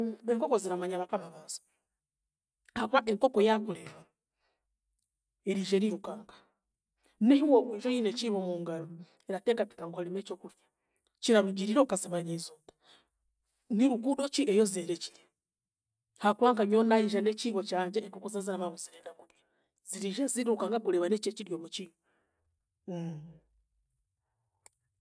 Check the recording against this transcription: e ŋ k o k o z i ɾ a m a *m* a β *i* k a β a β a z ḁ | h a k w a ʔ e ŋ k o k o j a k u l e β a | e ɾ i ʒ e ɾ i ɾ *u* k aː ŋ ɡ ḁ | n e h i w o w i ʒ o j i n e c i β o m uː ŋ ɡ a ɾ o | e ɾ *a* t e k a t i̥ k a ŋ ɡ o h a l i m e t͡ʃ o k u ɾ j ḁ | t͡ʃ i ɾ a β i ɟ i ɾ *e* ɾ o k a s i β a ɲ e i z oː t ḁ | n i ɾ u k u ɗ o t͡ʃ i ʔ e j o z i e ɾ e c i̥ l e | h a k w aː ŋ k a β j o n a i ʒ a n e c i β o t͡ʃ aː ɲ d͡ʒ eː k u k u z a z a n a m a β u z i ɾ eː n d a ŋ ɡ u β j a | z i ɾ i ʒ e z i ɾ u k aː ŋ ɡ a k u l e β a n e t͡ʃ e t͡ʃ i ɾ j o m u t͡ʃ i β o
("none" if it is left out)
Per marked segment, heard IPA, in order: ɲ, a, u, a, i

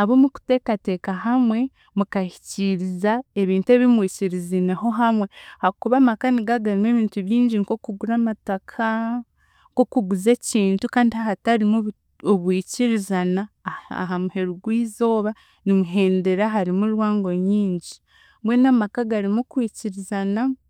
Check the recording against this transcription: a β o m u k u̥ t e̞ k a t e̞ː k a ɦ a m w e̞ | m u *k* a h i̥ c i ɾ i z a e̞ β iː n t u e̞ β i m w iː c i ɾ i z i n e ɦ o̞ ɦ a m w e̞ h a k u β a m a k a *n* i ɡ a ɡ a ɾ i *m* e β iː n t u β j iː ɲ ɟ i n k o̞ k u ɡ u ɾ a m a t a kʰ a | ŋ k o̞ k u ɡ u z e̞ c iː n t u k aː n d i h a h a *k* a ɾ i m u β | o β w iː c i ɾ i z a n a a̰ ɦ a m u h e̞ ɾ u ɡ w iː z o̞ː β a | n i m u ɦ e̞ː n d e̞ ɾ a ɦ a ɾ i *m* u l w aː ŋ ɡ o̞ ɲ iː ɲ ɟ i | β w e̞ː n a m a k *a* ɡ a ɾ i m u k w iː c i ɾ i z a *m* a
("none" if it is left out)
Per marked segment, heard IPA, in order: k, n, m, t, m, a, n

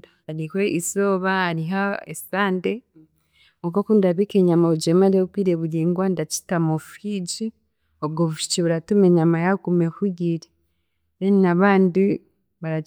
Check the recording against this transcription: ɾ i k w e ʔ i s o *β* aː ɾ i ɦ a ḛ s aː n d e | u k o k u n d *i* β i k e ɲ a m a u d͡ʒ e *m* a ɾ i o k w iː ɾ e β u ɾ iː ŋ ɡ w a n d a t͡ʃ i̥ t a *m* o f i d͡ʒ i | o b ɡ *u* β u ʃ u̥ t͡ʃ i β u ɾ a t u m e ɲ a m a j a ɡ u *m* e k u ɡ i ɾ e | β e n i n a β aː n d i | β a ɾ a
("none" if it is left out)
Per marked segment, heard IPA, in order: β, a, m, m, o, m

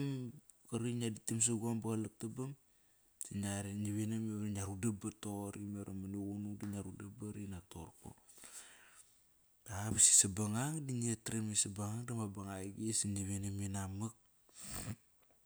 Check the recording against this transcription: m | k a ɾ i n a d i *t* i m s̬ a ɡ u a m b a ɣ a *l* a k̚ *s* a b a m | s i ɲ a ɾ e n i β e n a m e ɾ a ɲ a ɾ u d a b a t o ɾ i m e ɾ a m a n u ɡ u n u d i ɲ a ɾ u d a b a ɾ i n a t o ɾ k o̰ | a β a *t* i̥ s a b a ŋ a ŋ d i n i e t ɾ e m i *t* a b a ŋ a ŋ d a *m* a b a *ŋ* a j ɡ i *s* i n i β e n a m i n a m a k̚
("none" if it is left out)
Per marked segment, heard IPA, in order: t, l, t, s, s, m, ŋ, s

